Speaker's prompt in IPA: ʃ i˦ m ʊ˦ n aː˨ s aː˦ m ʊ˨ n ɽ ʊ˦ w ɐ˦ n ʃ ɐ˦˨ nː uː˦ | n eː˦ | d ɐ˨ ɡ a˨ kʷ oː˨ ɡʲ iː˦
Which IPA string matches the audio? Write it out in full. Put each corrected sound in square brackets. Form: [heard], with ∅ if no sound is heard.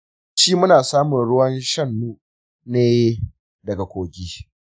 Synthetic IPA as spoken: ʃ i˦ m ʊ˦ n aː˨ s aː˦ m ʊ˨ n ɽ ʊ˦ w ɐ˦ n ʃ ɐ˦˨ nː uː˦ | n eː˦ | d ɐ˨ ɡ a˨ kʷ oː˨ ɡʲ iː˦